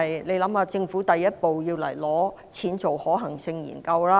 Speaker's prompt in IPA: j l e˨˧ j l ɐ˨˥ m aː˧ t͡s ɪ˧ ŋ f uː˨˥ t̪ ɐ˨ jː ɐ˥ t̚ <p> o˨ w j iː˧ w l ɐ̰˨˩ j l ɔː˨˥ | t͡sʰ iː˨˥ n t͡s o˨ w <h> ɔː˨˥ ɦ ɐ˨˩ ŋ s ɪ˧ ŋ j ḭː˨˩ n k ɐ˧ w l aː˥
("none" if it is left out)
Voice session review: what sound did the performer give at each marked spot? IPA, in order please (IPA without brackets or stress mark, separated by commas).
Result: p, h